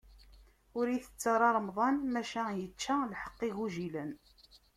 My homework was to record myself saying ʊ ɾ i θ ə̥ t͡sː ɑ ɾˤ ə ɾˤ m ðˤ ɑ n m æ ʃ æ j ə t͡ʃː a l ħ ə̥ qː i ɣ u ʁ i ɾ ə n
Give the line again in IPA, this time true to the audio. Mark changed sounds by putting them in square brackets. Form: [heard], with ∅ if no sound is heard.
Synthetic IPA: ʊ ɾ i θ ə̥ t͡sː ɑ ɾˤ [ɑ] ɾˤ m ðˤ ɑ n m æ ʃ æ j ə t͡ʃː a l ħ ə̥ qː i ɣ u [ʒ] i [l] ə n